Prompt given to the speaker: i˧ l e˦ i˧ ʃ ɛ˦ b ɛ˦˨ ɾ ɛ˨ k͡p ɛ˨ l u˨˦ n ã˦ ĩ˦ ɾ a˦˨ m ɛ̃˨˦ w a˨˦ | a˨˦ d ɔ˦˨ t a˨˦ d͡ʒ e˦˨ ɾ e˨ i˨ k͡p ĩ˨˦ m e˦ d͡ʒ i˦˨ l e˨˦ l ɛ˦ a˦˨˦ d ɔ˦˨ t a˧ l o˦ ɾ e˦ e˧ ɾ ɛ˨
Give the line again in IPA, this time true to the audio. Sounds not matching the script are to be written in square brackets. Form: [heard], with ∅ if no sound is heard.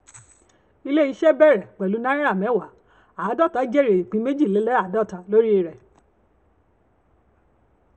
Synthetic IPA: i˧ l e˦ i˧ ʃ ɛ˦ b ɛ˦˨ ɾ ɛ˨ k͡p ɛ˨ l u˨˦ n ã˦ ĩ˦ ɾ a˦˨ m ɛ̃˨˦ w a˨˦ | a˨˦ d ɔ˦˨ t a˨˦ d͡ʒ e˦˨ ɾ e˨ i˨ k͡p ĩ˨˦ m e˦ d͡ʒ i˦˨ l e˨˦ l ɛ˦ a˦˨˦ d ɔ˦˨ t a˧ l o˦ ɾ [i˦] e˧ ɾ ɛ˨